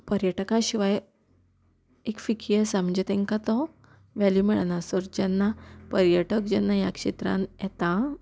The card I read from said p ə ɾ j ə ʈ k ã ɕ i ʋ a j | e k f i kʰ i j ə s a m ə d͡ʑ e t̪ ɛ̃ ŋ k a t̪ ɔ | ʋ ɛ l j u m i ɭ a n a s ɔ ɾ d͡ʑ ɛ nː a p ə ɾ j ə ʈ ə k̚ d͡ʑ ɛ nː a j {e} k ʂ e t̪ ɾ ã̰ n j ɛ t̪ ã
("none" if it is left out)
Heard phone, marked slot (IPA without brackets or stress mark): a